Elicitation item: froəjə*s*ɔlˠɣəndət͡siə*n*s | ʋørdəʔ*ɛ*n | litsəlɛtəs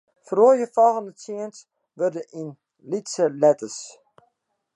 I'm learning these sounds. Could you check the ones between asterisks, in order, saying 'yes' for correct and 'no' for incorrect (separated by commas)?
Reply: no, yes, no